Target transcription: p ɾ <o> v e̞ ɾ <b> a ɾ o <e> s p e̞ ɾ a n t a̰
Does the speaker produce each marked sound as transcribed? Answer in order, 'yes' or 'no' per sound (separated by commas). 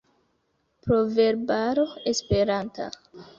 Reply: yes, yes, yes